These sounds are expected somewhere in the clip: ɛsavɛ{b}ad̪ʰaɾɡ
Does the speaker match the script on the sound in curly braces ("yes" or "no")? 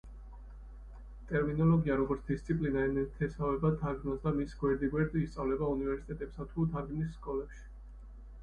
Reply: yes